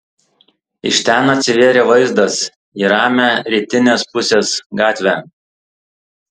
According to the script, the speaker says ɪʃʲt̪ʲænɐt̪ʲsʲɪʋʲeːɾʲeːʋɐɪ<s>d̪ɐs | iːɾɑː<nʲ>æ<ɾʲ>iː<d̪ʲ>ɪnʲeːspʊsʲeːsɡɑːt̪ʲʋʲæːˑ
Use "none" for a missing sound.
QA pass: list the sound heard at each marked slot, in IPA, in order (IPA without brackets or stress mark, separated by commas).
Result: z, mʲ, ɾʲ, t̪ʲ